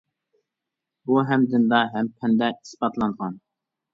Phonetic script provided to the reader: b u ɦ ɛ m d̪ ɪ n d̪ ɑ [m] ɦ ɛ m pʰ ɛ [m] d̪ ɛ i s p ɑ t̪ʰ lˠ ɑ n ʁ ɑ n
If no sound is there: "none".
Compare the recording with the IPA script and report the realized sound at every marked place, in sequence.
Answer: none, n

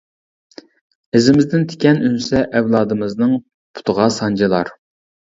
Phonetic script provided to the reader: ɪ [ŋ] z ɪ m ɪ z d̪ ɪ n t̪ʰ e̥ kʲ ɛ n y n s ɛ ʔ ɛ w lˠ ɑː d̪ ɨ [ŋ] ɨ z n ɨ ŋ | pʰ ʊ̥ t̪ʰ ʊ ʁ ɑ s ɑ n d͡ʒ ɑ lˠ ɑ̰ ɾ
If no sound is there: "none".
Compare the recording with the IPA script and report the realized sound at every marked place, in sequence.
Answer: none, m

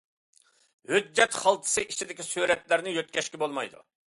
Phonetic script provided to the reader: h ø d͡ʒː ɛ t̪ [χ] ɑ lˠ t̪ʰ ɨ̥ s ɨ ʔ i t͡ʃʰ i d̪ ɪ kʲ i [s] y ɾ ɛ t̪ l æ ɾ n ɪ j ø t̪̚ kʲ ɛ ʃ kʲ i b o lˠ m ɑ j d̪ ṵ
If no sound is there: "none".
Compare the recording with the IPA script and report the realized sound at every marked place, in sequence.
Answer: χ, s

